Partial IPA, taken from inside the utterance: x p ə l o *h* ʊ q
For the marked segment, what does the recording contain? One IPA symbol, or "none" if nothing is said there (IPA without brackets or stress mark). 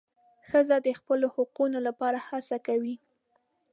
h